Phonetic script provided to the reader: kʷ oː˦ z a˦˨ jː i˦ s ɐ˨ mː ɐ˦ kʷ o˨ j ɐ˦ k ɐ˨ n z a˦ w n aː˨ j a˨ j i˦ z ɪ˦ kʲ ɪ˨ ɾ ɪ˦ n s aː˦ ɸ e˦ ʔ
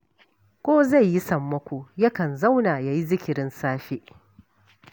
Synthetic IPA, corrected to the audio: kʷ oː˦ z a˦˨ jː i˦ s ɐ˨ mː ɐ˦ kʷ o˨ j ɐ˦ k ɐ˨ n z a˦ w n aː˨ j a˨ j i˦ z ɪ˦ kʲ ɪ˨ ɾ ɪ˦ n s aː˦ ɸ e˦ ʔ